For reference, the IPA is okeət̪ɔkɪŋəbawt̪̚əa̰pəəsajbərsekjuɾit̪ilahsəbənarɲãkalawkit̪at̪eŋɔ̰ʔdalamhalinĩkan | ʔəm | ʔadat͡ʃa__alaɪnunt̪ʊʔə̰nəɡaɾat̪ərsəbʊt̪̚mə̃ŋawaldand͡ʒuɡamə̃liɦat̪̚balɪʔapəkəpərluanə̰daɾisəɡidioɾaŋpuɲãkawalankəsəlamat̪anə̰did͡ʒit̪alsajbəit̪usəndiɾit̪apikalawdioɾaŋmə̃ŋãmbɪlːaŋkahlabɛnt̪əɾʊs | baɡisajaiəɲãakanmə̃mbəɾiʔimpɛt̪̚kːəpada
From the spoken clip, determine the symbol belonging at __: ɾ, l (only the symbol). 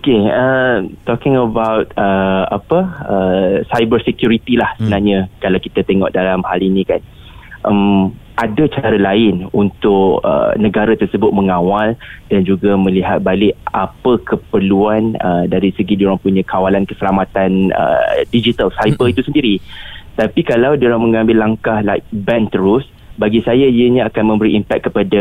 ɾ